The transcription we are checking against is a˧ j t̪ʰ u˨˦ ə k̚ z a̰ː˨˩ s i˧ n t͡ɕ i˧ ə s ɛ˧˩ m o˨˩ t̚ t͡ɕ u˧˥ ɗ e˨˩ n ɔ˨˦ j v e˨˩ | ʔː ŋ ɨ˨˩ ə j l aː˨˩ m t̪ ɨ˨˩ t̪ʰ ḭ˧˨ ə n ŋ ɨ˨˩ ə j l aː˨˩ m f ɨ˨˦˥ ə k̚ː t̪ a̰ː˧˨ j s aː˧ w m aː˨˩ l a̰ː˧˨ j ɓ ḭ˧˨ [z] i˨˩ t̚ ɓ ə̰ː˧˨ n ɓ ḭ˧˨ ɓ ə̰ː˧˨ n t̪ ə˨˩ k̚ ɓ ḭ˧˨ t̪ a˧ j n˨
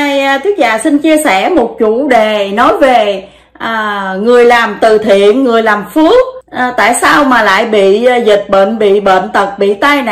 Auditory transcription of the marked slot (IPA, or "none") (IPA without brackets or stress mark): z